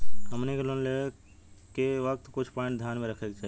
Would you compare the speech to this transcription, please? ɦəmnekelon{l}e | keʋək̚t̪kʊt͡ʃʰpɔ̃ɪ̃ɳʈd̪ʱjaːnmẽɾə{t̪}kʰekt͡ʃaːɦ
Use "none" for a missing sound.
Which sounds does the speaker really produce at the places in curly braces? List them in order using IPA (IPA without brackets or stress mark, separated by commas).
l, none